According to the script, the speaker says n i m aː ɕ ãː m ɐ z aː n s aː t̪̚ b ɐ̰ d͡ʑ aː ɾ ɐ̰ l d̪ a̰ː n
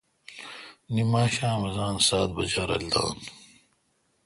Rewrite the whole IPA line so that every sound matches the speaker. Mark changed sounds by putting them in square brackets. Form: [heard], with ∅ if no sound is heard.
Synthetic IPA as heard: n i m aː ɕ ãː m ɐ z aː n s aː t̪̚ b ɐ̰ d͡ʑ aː ɾ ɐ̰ l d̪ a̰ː n